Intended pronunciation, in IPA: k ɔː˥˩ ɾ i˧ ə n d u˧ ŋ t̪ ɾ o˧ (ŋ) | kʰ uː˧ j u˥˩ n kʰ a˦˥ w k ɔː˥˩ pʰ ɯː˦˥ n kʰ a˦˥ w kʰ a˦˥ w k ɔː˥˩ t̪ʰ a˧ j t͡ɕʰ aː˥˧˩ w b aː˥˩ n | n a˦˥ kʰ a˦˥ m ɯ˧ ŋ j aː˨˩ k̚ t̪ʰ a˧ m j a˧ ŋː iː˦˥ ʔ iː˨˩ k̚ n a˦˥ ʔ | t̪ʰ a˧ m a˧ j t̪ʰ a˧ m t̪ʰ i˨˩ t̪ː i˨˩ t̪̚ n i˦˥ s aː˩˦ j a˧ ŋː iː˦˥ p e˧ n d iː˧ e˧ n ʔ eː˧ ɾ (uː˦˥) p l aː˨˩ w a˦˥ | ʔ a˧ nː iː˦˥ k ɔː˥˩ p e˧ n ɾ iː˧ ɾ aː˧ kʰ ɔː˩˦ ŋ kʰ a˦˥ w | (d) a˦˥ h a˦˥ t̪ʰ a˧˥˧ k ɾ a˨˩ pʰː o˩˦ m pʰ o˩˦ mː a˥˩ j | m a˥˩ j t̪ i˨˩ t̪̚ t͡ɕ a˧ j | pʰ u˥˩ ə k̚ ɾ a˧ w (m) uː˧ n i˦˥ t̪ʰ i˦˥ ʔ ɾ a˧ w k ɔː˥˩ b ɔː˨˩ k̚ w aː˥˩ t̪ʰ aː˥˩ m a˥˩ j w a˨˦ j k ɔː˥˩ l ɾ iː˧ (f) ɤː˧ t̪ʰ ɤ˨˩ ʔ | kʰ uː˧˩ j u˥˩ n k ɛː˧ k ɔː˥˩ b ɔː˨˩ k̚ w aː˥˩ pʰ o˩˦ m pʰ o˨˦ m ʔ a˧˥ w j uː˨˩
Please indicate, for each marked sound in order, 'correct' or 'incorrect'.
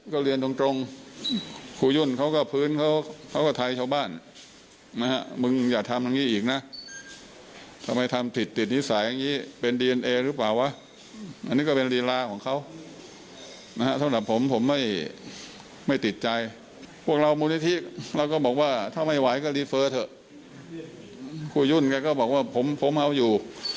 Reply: correct, incorrect, incorrect, correct, correct

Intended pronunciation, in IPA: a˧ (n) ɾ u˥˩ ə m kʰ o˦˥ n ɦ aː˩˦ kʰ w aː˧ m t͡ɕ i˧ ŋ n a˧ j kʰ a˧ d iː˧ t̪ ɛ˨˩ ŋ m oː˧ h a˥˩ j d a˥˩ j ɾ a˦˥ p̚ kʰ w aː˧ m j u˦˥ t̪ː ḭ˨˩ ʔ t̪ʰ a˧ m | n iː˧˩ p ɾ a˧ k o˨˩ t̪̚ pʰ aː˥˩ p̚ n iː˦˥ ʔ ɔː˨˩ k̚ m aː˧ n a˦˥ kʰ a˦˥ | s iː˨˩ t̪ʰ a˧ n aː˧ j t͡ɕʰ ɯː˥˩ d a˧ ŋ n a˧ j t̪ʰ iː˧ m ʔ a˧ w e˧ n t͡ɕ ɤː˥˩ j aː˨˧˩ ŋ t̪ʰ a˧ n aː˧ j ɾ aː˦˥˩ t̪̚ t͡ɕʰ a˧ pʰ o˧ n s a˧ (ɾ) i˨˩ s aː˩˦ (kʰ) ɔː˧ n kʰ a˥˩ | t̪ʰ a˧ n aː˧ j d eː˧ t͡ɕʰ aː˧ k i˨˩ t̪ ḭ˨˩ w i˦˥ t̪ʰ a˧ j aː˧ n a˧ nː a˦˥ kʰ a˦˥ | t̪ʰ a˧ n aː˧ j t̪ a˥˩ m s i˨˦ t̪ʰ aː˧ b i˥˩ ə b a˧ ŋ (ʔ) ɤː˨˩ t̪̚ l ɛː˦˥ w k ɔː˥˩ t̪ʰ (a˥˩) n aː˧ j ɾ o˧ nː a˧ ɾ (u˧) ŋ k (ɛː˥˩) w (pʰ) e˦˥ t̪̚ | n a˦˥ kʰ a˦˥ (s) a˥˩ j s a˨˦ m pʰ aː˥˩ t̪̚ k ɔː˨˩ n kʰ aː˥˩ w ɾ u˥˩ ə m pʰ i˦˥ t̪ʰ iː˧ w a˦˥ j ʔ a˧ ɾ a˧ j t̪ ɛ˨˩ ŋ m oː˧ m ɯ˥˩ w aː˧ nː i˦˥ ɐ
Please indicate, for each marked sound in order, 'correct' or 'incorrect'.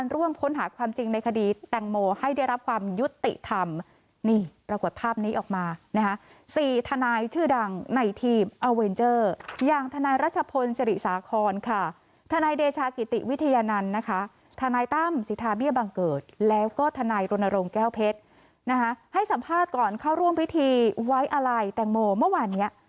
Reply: correct, correct, correct, incorrect, incorrect, incorrect, correct, correct, incorrect

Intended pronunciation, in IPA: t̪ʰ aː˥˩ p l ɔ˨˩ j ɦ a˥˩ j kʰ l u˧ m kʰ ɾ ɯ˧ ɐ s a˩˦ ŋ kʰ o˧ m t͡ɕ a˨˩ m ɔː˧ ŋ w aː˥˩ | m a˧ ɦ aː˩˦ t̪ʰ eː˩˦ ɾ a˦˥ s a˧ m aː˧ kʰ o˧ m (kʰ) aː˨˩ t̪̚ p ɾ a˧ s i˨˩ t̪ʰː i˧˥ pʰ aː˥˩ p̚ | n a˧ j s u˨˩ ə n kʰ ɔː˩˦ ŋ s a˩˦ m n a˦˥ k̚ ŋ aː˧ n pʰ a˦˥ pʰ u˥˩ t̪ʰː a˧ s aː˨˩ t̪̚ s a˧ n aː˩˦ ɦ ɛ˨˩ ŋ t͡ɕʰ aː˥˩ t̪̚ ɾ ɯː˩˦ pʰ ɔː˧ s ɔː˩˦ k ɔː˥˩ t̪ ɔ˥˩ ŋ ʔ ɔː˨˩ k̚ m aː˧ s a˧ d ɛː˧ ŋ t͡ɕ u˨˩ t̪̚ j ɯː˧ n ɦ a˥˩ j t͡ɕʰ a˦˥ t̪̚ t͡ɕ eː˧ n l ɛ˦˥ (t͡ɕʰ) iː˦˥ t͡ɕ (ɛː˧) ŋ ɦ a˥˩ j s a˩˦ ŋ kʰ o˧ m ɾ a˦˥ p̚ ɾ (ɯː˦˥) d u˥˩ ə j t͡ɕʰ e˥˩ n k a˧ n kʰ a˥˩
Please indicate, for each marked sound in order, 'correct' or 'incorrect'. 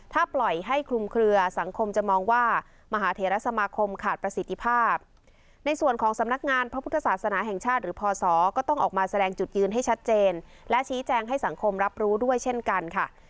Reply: correct, correct, correct, incorrect

